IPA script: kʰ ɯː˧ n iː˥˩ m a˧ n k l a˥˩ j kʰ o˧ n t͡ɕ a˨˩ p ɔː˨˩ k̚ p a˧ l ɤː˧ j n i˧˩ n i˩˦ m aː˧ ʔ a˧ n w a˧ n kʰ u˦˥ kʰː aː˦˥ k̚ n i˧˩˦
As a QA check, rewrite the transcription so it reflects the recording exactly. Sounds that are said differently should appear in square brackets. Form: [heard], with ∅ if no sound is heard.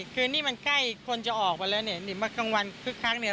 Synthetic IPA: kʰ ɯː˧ n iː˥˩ m a˧ n k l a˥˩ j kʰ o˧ n t͡ɕ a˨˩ [ʔ] ɔː˨˩ k̚ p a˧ l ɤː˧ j n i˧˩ n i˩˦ m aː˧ [k] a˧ [ŋ] w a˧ n kʰ [ɯ˦˥] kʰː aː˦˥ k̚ n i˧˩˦